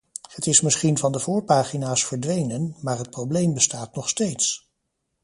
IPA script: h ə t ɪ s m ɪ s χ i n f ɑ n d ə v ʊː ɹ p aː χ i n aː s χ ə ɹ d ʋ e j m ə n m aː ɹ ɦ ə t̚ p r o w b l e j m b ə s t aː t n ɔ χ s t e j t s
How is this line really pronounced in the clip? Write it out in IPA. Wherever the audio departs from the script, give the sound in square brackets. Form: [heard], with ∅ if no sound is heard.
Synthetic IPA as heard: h ə t ɪ s m ɪ s χ i n [v] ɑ n d ə v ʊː ɹ p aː χ i n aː s [f] ə ɹ d ʋ e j [n] ə n m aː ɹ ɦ ə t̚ p r o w b l e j m b ə s t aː t n ɔ χ s t e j t s